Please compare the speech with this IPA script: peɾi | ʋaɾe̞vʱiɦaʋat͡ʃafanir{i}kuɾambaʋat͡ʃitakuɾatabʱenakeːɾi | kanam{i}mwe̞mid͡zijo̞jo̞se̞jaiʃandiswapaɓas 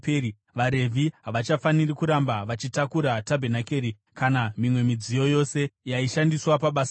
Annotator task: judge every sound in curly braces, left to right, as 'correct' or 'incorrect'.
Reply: correct, correct

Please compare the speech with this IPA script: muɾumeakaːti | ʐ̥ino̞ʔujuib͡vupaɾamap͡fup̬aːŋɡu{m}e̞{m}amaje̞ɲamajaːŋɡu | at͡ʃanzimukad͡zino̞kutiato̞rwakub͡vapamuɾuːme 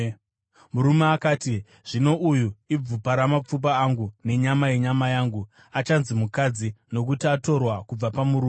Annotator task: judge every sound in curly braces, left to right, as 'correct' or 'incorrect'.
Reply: incorrect, incorrect

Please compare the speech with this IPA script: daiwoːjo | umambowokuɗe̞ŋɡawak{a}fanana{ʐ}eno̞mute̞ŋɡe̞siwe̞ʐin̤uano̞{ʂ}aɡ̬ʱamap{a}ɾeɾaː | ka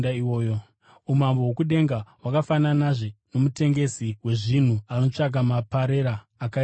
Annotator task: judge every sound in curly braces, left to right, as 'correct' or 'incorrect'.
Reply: correct, correct, incorrect, correct

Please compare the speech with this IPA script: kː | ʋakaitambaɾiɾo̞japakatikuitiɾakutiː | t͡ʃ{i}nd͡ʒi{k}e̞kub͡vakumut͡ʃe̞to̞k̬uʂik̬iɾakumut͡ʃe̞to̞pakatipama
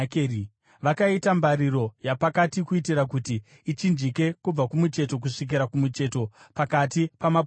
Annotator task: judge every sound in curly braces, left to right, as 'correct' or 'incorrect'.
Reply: correct, correct

